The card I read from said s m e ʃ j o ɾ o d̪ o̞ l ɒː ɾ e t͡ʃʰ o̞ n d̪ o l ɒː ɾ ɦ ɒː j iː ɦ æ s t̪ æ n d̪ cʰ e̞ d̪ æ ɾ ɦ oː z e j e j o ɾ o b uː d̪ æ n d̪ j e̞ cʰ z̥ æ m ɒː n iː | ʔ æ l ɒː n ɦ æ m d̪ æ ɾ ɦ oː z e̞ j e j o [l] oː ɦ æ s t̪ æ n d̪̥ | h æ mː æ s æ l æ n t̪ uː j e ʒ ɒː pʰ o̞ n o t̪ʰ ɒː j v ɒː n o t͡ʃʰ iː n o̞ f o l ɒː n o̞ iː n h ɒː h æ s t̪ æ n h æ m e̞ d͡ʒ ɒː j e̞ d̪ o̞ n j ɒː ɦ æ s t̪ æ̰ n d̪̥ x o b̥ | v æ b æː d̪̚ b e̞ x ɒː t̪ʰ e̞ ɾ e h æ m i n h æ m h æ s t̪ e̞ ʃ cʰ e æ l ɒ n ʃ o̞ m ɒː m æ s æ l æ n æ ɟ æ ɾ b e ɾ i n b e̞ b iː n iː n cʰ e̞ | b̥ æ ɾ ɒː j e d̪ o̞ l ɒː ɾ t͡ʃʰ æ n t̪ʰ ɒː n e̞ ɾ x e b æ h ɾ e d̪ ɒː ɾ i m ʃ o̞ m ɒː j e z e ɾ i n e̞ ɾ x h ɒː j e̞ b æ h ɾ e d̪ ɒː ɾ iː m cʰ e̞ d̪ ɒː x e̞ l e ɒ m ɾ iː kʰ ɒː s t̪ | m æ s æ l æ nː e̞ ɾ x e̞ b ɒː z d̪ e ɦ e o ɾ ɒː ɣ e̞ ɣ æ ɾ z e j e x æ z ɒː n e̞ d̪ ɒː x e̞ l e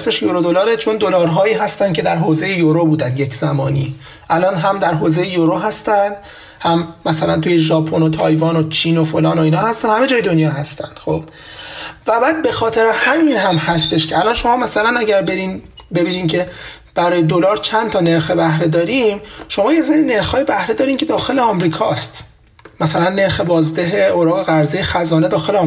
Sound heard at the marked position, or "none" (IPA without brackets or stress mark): ɾ